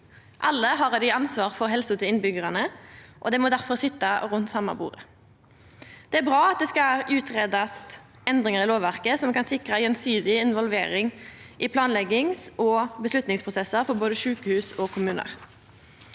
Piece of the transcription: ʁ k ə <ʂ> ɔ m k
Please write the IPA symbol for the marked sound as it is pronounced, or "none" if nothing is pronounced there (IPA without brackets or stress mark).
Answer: s